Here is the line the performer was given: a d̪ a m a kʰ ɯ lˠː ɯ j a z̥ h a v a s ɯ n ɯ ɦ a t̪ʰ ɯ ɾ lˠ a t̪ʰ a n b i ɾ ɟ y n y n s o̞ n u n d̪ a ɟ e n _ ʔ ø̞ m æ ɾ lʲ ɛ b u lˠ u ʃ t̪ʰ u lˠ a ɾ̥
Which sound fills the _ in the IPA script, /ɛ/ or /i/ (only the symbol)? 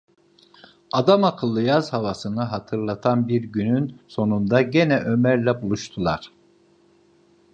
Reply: ɛ